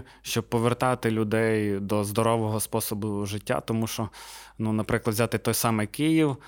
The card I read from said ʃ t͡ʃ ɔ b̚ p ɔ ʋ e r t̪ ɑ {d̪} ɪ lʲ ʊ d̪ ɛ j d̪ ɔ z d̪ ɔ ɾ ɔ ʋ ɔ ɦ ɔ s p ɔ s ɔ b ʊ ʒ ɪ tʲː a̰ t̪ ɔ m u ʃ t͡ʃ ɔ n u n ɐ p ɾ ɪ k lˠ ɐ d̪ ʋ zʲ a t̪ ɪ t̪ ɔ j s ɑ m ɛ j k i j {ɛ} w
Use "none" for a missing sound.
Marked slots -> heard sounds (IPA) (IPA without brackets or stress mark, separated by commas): t̪, i